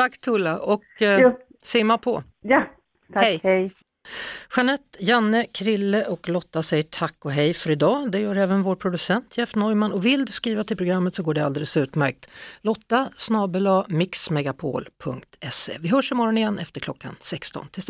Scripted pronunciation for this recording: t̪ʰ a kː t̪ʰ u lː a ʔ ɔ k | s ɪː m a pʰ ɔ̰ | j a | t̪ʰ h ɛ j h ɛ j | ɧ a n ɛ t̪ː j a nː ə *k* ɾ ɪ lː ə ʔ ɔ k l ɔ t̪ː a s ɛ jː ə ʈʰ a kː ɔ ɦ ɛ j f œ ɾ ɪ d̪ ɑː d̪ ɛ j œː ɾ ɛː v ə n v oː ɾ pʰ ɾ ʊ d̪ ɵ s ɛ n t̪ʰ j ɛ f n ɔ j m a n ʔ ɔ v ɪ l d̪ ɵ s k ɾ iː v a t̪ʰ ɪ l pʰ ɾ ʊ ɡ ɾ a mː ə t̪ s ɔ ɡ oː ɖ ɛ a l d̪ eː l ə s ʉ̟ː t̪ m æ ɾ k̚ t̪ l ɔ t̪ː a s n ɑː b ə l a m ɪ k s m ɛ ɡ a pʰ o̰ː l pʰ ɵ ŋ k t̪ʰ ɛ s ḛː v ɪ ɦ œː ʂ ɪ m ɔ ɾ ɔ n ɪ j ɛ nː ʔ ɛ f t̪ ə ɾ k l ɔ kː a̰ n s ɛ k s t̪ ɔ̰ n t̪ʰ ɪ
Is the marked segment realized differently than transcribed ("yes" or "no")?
yes